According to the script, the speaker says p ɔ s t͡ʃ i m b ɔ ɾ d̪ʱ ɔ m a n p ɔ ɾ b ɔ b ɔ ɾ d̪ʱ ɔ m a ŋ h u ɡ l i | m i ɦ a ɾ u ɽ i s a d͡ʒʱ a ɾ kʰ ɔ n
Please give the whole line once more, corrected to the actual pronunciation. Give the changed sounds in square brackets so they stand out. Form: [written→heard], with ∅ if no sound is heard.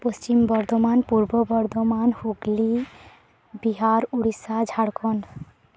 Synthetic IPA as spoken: p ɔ s t͡ʃ i m b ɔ ɾ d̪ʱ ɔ m a n p [ɔ→u] ɾ b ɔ b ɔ ɾ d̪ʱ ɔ m a [ŋ→n] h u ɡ l i | [m→b] i ɦ a ɾ u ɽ i s a d͡ʒʱ a [ɾ→ɽ] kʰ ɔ n